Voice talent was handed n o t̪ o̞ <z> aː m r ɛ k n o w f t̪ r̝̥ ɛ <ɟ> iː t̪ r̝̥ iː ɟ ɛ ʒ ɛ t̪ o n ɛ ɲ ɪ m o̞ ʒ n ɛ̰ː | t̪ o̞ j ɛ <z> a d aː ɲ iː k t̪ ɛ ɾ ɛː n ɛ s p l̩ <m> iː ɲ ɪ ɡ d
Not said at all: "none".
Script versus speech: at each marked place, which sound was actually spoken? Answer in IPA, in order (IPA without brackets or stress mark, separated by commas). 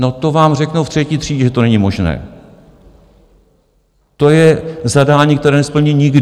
v, c, z, ɲ